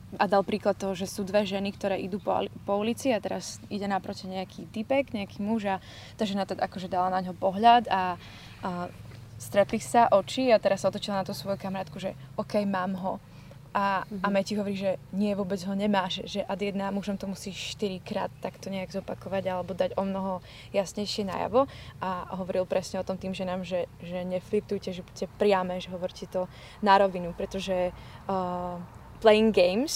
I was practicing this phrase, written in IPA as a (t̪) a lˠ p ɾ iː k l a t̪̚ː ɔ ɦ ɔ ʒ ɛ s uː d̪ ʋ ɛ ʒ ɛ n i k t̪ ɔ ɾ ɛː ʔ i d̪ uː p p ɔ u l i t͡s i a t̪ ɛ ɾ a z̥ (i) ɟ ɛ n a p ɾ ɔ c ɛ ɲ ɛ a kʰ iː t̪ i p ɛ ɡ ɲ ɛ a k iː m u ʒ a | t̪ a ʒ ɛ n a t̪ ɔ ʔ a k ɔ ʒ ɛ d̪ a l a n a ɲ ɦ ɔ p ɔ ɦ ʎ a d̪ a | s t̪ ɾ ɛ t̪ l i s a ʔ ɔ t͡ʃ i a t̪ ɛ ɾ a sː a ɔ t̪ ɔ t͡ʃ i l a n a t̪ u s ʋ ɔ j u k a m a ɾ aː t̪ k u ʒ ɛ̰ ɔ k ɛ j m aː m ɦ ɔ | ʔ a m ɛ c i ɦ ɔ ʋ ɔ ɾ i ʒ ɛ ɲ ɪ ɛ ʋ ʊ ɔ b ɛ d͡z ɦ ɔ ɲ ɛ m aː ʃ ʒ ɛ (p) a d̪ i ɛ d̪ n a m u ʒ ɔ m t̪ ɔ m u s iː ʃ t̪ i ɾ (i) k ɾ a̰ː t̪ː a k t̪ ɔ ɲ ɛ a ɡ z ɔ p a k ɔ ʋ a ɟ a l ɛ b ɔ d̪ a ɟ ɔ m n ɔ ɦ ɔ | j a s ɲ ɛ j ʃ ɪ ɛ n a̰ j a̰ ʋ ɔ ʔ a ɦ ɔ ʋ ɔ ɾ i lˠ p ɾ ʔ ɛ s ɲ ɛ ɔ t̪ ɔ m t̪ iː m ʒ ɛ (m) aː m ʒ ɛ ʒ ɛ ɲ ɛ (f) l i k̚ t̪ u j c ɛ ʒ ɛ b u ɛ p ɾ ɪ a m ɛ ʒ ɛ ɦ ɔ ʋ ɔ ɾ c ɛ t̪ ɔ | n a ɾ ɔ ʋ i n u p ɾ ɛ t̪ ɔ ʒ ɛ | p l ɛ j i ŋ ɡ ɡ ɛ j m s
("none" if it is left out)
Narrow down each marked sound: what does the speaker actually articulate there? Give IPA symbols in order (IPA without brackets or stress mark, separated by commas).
d̪, i, ʔ, i, n, f